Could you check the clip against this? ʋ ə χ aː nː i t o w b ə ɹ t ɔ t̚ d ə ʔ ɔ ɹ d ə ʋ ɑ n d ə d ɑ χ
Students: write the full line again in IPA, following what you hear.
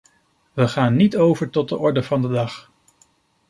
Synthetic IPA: ʋ ə χ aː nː i t o w v ə ɹ t ɔ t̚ d ə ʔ ɔ ɹ d ə v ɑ n d ə d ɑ χ